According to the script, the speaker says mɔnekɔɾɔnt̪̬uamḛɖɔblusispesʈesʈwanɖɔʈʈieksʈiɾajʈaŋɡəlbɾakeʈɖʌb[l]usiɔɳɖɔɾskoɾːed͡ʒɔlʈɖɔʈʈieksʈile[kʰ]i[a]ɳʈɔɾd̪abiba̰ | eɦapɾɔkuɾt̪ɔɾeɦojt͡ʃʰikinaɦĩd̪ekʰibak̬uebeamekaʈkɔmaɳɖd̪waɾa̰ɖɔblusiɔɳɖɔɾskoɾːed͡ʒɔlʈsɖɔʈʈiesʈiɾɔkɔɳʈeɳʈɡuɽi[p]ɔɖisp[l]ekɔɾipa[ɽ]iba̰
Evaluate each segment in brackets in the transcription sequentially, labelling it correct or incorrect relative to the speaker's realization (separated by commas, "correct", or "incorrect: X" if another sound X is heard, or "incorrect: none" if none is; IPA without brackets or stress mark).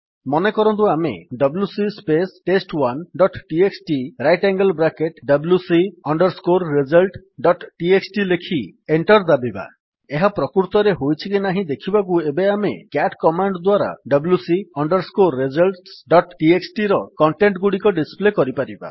correct, correct, incorrect: e, incorrect: k, correct, incorrect: ɾ